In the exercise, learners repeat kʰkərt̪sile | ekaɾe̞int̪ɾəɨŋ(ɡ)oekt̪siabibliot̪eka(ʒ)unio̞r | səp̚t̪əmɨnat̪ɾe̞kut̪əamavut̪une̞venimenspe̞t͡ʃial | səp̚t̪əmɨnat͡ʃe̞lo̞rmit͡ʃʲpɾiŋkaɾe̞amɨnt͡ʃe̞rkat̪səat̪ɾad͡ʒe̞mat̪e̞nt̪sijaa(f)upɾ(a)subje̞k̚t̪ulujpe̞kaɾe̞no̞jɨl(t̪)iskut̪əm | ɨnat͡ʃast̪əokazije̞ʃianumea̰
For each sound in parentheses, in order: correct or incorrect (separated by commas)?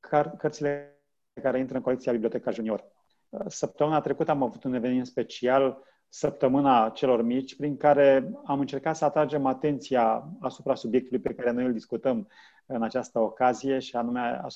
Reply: incorrect, correct, incorrect, correct, incorrect